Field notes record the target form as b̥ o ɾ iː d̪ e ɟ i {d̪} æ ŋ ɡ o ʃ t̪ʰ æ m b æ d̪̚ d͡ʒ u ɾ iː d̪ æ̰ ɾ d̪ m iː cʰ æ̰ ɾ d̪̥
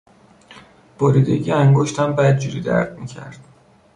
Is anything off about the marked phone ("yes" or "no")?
yes